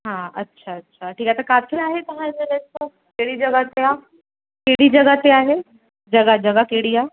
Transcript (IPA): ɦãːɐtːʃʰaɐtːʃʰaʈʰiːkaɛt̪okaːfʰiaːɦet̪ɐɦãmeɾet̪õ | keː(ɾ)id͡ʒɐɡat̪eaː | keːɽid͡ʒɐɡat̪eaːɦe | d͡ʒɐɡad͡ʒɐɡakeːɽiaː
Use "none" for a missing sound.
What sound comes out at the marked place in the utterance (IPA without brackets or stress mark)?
ɽ